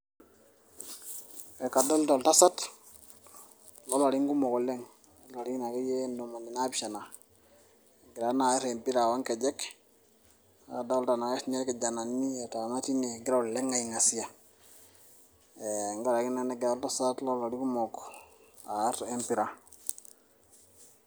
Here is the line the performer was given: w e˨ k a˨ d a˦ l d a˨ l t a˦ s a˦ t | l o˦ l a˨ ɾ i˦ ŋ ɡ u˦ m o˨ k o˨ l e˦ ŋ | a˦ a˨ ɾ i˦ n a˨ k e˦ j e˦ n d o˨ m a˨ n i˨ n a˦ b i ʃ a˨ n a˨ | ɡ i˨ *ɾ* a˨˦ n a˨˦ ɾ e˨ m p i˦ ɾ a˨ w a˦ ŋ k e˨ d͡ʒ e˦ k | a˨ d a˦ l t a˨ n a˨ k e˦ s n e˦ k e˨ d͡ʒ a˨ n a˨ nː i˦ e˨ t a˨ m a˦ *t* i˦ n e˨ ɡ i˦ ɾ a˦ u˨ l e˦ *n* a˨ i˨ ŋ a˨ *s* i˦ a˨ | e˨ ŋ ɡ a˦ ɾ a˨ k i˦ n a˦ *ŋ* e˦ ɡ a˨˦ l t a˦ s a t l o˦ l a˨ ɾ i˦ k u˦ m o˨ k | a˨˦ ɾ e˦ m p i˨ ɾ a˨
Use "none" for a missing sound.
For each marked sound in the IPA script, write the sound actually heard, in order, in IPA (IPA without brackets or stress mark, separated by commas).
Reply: ɾ, t, ŋ, s, n